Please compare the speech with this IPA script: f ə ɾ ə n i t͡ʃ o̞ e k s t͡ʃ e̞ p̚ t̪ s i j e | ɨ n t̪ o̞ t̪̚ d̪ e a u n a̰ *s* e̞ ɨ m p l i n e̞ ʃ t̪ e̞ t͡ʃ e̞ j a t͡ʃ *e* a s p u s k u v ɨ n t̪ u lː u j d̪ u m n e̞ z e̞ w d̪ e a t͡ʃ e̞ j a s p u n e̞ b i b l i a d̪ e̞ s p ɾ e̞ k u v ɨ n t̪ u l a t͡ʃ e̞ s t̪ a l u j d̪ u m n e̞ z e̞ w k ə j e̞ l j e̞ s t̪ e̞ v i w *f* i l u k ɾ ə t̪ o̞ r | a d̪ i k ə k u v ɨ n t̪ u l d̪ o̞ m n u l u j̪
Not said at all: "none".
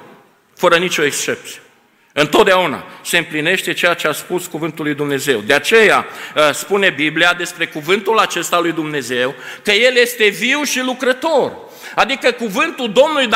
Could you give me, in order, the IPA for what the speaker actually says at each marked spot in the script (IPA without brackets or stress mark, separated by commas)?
s, e, ʃ